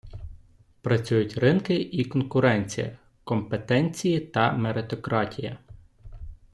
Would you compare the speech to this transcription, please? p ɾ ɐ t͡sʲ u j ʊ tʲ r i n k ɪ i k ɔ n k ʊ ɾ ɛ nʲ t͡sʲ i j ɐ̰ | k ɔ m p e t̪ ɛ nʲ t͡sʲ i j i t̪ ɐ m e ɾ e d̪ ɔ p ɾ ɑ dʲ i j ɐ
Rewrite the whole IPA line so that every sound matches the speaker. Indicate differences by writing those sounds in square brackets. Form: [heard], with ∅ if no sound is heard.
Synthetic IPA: p ɾ ɐ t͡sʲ u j ʊ tʲ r [ɪ] n k ɪ i k ɔ n k ʊ ɾ ɛ nʲ t͡sʲ i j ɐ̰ | k ɔ m p e t̪ ɛ nʲ t͡sʲ i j i t̪ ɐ m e ɾ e [t̪] ɔ [k] ɾ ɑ [tʲ] i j ɐ